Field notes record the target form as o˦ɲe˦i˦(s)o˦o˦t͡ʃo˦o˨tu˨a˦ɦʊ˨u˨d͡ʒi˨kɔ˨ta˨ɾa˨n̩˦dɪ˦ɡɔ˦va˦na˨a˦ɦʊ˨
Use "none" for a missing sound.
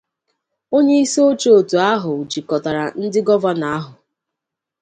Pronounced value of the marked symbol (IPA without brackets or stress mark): s